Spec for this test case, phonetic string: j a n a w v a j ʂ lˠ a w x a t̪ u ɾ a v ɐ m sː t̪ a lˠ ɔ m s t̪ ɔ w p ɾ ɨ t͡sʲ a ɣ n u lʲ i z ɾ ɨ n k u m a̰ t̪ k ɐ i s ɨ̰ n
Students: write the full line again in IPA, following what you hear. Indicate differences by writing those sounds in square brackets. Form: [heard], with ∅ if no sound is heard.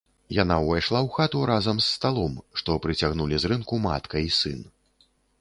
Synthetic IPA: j a n a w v a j ʂ lˠ a w x a t̪ u ɾ a [z] ɐ m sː t̪ a lˠ ɔ m [ʂ] t̪ ɔ [∅] p ɾ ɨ t͡sʲ a ɣ n u lʲ i z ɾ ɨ n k u m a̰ t̪ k ɐ i s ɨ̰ n

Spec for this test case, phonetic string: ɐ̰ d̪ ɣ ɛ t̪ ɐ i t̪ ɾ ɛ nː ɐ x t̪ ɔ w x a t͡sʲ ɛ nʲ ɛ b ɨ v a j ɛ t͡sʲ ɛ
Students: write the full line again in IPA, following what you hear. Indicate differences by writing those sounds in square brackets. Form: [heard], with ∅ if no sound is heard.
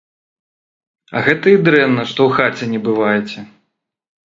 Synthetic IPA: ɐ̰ [∅] ɣ ɛ t̪ ɐ i [d̪] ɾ ɛ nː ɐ [ʂ] t̪ ɔ w x a t͡sʲ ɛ nʲ ɛ b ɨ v a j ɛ t͡sʲ ɛ

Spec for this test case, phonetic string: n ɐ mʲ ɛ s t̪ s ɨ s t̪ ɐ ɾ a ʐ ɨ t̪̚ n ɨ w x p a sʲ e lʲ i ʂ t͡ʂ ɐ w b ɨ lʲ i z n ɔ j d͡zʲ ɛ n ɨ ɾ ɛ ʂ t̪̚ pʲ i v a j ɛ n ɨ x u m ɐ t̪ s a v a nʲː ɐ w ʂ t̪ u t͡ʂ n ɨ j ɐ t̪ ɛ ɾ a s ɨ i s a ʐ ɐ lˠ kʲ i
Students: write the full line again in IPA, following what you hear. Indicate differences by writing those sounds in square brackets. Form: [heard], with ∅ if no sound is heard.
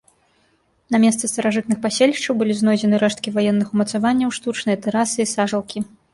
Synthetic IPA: n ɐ mʲ ɛ s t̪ s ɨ s t̪ ɐ ɾ a ʐ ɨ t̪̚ n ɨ [∅] x p a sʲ e lʲ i ʂ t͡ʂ ɐ w b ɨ lʲ i z n ɔ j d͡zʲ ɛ n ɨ ɾ ɛ ʂ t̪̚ [kʲ] i v a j ɛ [nː] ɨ x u m ɐ t̪ s a v a nʲː ɐ w ʂ t̪ u t͡ʂ n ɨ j ɐ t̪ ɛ ɾ a s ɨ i s a ʐ ɐ lˠ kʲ i

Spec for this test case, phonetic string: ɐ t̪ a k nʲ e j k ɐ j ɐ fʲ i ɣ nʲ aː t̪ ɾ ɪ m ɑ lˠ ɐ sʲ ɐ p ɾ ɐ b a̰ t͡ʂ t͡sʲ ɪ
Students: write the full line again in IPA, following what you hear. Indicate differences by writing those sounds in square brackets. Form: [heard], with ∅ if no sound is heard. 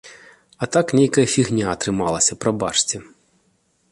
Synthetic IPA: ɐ t̪ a k nʲ e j k ɐ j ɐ fʲ i ɣ nʲ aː t̪ ɾ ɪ m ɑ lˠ ɐ sʲ ɐ p ɾ ɐ b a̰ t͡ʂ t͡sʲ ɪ

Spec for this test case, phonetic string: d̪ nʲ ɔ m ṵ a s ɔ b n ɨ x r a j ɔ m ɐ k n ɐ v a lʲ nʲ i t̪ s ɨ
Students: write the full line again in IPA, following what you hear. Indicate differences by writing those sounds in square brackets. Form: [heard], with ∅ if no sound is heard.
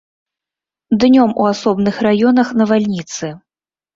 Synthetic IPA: d̪ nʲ ɔ m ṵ a s ɔ b n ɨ x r a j ɔ [n] ɐ [x] n ɐ v a lʲ nʲ i t̪ s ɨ

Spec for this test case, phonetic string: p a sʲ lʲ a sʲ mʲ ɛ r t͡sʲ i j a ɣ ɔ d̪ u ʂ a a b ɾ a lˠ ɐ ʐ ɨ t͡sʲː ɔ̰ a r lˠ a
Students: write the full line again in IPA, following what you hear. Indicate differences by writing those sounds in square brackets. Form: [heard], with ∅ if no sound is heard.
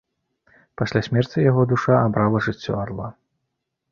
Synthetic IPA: p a sʲ lʲ a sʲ mʲ ɛ r t͡sʲ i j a ɣ ɔ d̪ u ʂ a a b ɾ a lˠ ɐ ʐ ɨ t͡sʲː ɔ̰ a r lˠ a

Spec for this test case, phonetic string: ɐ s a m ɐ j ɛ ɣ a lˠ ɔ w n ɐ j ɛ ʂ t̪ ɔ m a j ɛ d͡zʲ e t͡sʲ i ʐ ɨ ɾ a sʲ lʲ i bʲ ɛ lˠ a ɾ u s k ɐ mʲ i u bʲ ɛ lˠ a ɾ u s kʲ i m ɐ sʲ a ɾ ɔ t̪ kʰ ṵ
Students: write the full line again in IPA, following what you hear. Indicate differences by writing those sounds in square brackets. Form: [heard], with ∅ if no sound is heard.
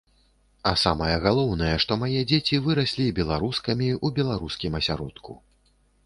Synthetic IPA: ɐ s a m ɐ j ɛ ɣ a lˠ ɔ w n ɐ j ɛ ʂ t̪ ɔ m a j ɛ d͡zʲ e t͡sʲ i [v] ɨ ɾ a sʲ lʲ i bʲ ɛ lˠ a ɾ u s k ɐ mʲ i u bʲ ɛ lˠ a ɾ u s kʲ i m ɐ sʲ a ɾ ɔ t̪ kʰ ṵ

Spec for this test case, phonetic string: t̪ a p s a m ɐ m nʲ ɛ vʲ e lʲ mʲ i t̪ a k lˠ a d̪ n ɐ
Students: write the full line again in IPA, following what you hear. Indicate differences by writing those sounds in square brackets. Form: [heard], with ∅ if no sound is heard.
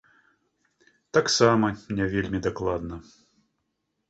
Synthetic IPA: t̪ a [k] s a m ɐ m nʲ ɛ vʲ e lʲ mʲ i [d̪] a k lˠ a d̪ n ɐ

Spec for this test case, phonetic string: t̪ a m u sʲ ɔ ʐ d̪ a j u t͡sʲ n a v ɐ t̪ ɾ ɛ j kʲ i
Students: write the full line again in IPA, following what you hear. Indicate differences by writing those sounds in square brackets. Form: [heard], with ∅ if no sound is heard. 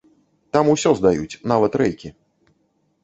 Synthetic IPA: t̪ a m u sʲ ɔ [z] d̪ a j u t͡sʲ n a v ɐ t̪ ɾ ɛ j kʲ i

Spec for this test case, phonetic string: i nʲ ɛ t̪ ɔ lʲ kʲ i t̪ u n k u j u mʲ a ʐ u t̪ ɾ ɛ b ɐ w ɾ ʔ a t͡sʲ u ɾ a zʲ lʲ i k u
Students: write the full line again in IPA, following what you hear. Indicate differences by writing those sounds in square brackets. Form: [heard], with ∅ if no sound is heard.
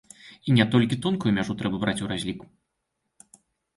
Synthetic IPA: i nʲ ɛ t̪ ɔ lʲ kʲ i t̪ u n k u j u mʲ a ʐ u t̪ ɾ ɛ b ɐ [b] ɾ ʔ a t͡sʲ u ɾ a zʲ lʲ i k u

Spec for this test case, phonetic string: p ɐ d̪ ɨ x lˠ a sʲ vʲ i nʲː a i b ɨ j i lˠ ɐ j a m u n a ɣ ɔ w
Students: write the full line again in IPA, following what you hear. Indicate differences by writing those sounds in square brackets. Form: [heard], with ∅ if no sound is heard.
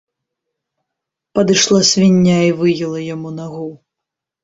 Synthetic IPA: p ɐ d̪ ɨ [ʂ] lˠ a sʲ vʲ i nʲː a i [v] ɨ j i lˠ ɐ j a m u n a ɣ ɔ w

